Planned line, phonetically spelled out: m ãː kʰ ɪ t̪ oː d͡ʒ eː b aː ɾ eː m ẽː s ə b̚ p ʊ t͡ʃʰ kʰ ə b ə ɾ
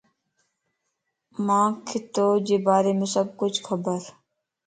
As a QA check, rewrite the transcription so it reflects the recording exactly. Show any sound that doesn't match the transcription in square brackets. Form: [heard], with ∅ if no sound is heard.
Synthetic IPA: m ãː kʰ ɪ t̪ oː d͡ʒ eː b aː ɾ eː m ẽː s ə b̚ [k] ʊ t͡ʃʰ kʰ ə b ə ɾ